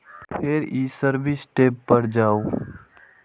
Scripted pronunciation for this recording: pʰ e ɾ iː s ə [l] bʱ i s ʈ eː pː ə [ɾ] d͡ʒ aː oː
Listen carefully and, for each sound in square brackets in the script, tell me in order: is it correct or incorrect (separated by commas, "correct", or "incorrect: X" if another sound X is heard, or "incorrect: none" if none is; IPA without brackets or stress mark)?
incorrect: ɾ, correct